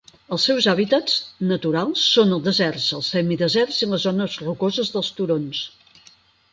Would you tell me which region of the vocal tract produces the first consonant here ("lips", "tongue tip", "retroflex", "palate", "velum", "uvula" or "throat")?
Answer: tongue tip